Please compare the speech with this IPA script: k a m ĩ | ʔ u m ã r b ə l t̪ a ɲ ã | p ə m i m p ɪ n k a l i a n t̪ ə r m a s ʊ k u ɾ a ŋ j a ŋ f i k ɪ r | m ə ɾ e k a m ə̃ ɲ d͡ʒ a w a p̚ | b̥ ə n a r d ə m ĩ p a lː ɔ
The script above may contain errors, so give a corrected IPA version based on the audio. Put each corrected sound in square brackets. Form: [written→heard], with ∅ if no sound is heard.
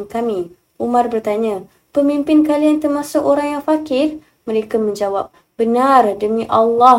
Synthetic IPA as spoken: k a m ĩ | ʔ u m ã r b ə [l→r] t̪ a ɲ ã | p ə m i m p ɪ n k a l i a n t̪ ə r m a s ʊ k [u→o] ɾ a ŋ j a ŋ f [i→a] k ɪ r | m ə ɾ e k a m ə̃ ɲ d͡ʒ a w a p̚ | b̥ ə n a r d ə m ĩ [p→ʔ] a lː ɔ